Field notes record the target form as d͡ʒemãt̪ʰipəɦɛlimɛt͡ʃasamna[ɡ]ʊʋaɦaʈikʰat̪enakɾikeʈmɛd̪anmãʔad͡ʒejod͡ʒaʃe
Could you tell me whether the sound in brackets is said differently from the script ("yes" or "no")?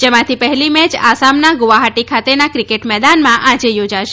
no